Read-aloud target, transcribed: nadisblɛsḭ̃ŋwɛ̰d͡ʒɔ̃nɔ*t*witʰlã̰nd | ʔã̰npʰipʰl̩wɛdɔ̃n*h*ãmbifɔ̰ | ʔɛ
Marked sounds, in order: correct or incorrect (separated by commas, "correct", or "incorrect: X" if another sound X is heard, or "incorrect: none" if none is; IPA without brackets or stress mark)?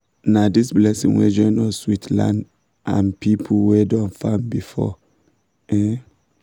incorrect: s, incorrect: f